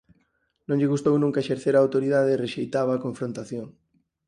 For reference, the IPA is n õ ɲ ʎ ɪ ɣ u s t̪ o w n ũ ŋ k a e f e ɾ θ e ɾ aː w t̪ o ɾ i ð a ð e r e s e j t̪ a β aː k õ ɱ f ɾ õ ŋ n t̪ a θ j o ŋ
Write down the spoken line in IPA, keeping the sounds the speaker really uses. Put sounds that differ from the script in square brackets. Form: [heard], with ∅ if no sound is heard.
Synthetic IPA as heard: n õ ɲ ʎ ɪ ɣ u s t̪ o w n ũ ŋ k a e [ʃ] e ɾ θ e ɾ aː w t̪ o ɾ i ð a ð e r e [ʃ] e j t̪ a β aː k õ ɱ f ɾ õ [∅] n t̪ a θ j o ŋ